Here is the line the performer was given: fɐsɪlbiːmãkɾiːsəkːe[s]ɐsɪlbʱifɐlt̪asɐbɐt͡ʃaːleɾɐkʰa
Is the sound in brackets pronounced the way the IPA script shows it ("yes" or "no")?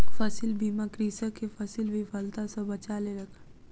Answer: no